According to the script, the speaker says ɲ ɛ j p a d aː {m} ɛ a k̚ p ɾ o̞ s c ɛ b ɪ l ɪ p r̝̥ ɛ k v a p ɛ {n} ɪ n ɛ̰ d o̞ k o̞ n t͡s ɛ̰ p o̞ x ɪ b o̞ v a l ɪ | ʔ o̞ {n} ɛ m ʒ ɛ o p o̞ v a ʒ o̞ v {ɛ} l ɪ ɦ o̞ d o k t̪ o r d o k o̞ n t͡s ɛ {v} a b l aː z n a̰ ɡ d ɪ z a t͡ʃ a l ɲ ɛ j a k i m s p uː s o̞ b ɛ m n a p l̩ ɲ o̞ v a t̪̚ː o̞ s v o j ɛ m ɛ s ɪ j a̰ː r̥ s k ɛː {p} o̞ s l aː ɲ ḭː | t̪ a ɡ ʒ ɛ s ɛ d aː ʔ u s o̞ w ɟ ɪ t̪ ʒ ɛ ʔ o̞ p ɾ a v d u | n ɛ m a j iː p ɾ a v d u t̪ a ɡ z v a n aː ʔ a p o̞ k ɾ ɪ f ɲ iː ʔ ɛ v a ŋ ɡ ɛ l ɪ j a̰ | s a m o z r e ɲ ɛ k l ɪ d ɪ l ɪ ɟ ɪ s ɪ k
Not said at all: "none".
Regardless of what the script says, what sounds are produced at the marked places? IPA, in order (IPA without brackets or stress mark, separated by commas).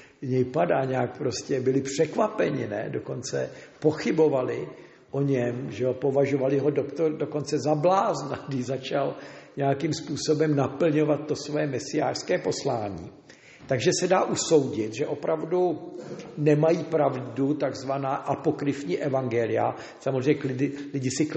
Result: ɲ, ɲ, ɲ, a, z, p